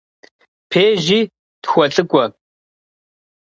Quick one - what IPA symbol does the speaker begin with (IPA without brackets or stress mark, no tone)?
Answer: pʰ